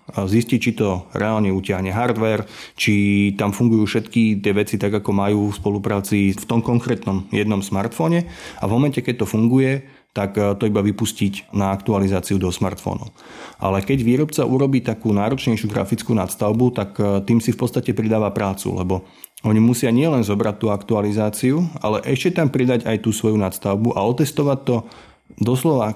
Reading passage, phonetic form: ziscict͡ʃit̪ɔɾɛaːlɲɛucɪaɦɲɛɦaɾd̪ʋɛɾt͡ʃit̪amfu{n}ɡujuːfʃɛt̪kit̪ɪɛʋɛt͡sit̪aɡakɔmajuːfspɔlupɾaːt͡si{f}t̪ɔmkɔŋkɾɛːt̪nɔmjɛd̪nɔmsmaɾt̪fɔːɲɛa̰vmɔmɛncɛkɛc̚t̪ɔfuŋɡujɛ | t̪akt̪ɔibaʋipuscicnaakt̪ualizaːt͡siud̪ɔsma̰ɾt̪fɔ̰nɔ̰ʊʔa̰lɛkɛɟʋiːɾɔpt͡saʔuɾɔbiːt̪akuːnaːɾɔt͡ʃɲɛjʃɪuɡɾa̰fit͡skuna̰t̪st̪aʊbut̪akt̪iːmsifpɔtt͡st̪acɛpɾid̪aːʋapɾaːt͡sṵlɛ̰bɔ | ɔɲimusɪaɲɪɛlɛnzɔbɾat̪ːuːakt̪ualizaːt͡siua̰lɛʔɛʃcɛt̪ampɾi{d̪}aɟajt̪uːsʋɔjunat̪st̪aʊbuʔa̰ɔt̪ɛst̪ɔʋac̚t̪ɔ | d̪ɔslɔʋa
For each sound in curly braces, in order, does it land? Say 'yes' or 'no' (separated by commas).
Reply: no, yes, yes